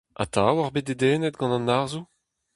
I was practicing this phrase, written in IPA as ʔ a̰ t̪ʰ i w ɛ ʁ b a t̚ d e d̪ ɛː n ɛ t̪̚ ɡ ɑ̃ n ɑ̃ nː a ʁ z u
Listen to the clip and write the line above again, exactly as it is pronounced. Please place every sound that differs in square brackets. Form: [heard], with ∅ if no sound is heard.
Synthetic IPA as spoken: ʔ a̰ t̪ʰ [a] w [a] ʁ b [e] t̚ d e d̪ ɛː n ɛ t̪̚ ɡ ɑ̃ n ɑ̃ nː a ʁ z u